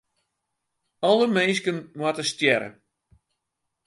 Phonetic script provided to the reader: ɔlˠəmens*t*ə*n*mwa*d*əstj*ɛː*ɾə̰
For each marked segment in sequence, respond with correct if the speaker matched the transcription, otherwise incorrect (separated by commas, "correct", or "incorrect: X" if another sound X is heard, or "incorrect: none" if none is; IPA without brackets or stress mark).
incorrect: k, correct, incorrect: t, incorrect: ɛ